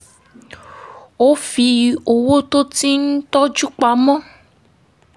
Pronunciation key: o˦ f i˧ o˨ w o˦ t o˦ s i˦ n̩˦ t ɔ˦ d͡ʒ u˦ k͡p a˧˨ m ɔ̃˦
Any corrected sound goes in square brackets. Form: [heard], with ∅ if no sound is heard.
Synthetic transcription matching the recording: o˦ f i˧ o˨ w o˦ t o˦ [t] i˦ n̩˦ t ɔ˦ d͡ʒ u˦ k͡p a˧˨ m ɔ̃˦